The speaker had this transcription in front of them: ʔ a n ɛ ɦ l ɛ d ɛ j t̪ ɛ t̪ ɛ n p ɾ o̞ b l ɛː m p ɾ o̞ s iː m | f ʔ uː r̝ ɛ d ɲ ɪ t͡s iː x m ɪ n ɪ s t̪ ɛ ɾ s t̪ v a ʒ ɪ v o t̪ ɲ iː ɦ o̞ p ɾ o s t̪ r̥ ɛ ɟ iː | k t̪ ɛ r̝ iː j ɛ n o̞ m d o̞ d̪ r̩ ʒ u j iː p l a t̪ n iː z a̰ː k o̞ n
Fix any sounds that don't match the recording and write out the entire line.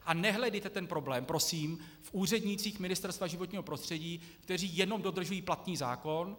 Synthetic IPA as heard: ʔ a n ɛ ɦ l ɛ d ɛ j t̪ ɛ t̪ ɛ n p ɾ o̞ b l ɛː m p ɾ o̞ s iː m | f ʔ uː r̝ ɛ d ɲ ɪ t͡s iː x m ɪ n ɪ s t̪ ɛ ɾ s t̪ v a ʒ ɪ v o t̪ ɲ iː ɦ o̞ p ɾ o s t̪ r̥ ɛ ɟ iː | k t̪ ɛ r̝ iː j ɛ n o̞ m d o̞ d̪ r̩ ʒ u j iː p l a t̪ n iː z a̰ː k o̞ n